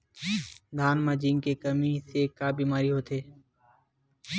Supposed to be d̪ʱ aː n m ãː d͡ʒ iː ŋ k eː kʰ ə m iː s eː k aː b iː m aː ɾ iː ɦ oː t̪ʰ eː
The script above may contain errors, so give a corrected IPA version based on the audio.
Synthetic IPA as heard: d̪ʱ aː n m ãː d͡ʒ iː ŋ k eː k ə m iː s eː k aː b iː m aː ɾ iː ɦ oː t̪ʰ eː